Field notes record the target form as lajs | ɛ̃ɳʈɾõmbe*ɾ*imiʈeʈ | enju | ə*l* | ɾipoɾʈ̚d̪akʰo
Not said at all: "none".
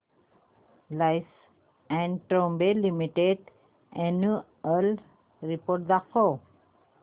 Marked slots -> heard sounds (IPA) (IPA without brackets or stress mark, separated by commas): l, l